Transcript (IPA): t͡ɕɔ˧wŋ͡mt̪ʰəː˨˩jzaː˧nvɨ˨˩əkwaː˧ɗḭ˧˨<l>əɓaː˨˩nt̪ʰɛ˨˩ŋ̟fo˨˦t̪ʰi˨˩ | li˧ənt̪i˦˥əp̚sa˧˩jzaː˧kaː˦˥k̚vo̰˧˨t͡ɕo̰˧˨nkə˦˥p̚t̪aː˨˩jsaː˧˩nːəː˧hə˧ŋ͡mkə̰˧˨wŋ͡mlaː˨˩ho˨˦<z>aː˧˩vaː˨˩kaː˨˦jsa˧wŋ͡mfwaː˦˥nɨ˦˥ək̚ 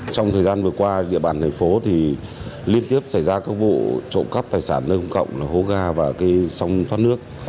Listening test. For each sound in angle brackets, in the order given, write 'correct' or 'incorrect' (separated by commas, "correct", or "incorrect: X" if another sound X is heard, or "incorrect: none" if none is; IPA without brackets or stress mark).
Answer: incorrect: none, incorrect: ɣ